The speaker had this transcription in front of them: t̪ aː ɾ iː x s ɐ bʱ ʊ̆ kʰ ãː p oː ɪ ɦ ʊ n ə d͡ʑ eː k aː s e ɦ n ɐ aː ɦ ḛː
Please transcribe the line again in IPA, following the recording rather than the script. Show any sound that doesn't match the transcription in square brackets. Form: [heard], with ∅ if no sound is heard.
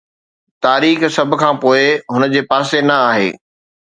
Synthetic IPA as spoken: t̪ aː ɾ iː x s ɐ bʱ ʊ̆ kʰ ãː p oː ɪ ɦ ʊ n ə d͡ʑ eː [p] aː s e [∅] n ɐ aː ɦ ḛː